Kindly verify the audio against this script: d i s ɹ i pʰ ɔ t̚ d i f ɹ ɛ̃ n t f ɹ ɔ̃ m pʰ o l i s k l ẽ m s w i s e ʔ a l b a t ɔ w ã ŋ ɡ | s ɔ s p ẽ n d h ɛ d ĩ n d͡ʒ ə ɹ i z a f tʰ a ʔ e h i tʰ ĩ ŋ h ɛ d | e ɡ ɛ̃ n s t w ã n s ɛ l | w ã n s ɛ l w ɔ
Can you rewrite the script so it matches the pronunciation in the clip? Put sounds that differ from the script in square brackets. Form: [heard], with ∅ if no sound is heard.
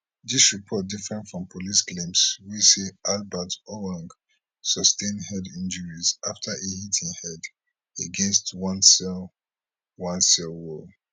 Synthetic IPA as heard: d i s ɹ i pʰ ɔ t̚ d i f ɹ ɛ̃ n t f ɹ ɔ̃ m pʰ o l i s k l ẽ m s w i s e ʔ a l b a t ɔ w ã ŋ ɡ | s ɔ s [t] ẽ n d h ɛ d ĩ n d͡ʒ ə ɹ i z a f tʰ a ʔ e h i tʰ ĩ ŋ h ɛ d | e ɡ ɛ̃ n s t w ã n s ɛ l | w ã n s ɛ l w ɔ